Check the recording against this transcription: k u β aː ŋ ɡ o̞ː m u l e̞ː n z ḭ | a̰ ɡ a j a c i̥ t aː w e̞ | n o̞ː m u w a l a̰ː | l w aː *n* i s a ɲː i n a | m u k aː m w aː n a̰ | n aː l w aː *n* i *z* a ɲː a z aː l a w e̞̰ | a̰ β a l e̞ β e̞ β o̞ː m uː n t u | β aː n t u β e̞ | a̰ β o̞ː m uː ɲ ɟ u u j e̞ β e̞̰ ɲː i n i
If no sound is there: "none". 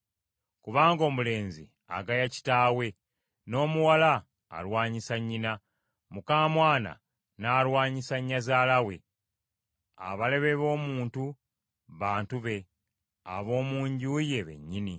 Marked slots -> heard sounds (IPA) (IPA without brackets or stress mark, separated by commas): ɲ, ɲ, s